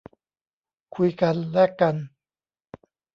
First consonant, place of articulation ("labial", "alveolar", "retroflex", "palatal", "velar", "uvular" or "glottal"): velar